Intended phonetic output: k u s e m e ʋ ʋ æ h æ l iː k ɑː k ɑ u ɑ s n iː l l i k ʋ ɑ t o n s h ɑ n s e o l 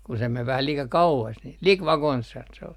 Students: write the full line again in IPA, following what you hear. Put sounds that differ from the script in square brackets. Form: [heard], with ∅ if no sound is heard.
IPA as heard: k u s e m e ʋ ʋ æ h æ l iː k [ɑ] k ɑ u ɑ s n [i] l l i k ʋ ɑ [k] o n s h ɑ n s e o l